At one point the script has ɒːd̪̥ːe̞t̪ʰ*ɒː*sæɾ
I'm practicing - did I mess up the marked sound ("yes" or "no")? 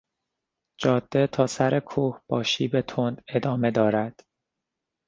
no